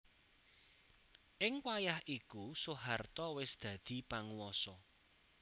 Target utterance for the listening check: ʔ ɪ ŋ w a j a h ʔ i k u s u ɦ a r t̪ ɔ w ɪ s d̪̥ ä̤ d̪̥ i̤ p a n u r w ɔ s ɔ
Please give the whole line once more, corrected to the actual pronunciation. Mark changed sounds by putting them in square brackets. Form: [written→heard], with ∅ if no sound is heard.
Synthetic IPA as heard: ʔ ɪ ŋ w a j a h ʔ i k u s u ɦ a r t̪ ɔ w ɪ s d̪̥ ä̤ d̪̥ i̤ p a [n→ŋ] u [r→∅] w ɔ s ɔ

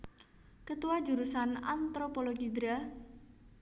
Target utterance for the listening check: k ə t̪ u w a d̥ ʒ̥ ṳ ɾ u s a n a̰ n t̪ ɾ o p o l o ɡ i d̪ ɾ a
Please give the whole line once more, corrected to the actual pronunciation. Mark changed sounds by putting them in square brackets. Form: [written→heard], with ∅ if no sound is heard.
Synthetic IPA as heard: k ə t̪ u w a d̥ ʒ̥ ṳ ɾ u s a n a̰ n t̪ ɾ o p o l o ɡ i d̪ ɾ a

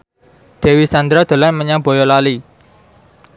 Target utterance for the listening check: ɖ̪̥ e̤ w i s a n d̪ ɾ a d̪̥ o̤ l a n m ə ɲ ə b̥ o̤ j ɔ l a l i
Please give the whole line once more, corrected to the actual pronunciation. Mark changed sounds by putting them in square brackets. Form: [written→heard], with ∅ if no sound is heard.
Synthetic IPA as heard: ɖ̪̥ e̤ w i s a n d̪ ɾ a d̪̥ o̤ l a n m ə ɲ [ə→a] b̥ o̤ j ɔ l a l i

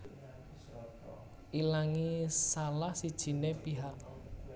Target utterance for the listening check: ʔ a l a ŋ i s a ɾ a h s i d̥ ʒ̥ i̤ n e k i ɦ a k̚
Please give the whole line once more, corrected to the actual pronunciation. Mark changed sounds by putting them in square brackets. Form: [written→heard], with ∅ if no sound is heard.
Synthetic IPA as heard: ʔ [a→i] l a ŋ i s a [ɾ→l] a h s i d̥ ʒ̥ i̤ n e [k→p] i ɦ a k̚

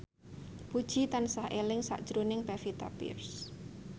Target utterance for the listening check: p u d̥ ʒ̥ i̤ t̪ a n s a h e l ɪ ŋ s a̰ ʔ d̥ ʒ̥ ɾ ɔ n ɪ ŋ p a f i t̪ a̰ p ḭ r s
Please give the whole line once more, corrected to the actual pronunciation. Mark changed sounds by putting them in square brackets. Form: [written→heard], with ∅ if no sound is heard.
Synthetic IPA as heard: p u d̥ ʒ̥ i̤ t̪ a n s a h e l ɪ ŋ s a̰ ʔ d̥ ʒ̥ ɾ [ɔ→u] n ɪ ŋ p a f i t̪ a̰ p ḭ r s

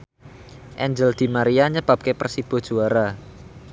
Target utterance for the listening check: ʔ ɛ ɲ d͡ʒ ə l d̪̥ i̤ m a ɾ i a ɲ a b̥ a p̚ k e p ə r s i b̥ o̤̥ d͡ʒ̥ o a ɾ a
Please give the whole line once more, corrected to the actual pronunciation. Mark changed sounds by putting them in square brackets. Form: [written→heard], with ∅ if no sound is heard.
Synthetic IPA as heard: ʔ ɛ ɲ d͡ʒ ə l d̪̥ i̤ m a ɾ i a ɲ [a→ə] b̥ a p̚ k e p ə r s i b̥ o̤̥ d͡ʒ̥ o a ɾ a

